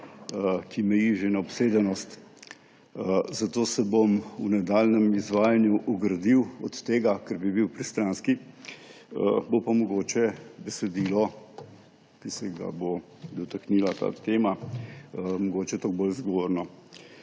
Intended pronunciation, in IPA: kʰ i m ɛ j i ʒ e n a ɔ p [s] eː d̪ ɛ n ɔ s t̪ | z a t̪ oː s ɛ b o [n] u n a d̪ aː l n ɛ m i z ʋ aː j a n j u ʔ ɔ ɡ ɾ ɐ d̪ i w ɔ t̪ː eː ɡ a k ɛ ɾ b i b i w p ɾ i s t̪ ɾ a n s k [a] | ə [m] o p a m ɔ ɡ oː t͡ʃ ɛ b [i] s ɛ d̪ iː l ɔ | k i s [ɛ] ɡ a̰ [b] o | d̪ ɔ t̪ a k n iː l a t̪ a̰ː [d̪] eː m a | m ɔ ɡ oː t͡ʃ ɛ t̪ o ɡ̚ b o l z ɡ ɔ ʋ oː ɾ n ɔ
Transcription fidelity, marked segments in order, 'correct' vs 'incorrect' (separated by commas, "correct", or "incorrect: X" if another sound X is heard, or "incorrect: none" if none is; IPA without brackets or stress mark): correct, incorrect: m, incorrect: i, incorrect: b, incorrect: ɛ, correct, correct, incorrect: t̪